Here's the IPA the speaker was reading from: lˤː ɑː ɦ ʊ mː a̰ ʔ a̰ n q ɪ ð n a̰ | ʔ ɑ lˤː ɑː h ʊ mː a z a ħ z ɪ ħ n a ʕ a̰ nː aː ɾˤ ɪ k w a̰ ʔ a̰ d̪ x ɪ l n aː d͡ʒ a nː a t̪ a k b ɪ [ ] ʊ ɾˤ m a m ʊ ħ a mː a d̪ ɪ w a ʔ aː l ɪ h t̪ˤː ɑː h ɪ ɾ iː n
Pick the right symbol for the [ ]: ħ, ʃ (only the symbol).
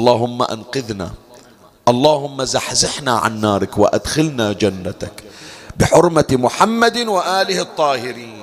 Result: ħ